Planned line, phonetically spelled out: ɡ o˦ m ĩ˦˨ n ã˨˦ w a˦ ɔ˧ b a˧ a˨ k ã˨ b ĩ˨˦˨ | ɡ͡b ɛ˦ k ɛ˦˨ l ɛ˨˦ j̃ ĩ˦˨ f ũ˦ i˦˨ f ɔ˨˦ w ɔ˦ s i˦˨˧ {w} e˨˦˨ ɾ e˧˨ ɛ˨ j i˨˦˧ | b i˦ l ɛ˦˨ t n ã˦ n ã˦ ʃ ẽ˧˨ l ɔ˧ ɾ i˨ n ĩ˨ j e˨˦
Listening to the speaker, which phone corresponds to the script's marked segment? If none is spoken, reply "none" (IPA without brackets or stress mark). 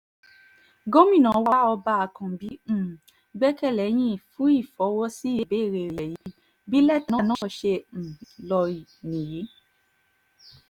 b